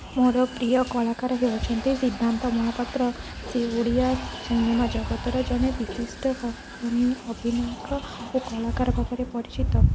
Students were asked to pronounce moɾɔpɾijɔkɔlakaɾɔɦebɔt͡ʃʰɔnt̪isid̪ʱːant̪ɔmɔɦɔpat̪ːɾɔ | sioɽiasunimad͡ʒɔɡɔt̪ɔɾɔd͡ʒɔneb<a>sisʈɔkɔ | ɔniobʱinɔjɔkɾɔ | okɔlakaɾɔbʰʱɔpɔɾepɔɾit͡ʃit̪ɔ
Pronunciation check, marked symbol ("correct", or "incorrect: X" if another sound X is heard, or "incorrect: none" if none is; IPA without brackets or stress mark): incorrect: i